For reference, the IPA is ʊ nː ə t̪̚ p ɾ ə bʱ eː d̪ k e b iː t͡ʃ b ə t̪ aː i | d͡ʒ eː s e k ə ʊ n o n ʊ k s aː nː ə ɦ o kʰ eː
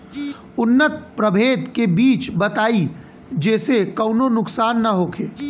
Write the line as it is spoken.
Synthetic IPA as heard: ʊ nː ə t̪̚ p ɾ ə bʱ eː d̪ k e b iː t͡ʃ b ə t̪ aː i | d͡ʒ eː s e k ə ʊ n o n ʊ k s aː nː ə ɦ o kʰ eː

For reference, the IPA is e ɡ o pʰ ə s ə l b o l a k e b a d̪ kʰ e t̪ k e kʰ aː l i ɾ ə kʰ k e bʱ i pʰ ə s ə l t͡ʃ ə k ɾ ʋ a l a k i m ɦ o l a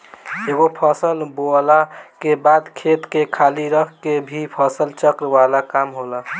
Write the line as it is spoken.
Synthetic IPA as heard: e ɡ o pʰ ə s ə l b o l a k e b a d̪ kʰ e t̪ k e kʰ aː l i ɾ ə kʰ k e bʱ i pʰ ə s ə l t͡ʃ ə k ɾ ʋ a l a k a m ɦ o l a

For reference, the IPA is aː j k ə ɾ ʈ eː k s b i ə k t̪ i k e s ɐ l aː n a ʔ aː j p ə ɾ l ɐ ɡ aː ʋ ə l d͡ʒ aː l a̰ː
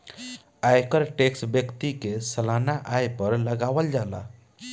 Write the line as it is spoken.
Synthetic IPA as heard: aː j k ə ɾ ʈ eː k s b j ə k t̪ i k e s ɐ l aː n a ʔ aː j p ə ɾ l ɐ ɡ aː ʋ ə l d͡ʒ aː l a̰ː

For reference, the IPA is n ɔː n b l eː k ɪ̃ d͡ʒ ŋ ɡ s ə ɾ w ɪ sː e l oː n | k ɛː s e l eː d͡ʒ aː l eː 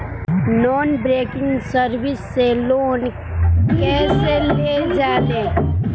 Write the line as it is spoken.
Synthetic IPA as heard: n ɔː n b ɾ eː k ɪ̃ ŋ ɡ s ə ɾ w ɪ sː e l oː n | k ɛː s e l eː d͡ʒ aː l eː

